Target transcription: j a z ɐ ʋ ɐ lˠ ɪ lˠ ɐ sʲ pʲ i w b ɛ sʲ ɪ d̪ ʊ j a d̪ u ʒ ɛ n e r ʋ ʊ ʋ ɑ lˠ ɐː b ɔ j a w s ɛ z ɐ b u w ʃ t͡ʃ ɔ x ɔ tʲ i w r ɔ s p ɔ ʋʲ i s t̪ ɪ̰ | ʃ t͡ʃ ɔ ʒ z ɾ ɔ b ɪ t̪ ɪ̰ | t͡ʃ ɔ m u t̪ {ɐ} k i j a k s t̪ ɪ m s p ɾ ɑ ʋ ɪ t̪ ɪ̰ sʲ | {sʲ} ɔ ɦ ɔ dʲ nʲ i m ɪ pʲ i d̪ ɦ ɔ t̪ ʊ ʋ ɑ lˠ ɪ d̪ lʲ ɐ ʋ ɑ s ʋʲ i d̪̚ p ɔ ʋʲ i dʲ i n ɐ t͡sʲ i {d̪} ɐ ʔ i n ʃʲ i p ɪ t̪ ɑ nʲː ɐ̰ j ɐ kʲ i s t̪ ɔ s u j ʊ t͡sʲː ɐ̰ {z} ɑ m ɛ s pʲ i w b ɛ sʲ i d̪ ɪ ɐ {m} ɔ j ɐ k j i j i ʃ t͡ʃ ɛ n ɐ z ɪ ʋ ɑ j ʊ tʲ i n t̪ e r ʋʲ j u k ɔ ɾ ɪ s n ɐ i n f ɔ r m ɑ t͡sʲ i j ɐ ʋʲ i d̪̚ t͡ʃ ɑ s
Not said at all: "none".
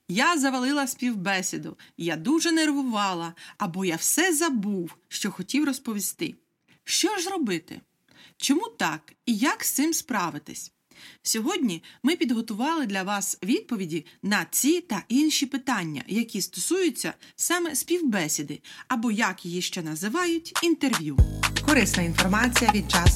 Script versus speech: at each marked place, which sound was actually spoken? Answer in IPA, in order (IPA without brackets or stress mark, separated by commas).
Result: ɑ, sʲ, t̪, s, b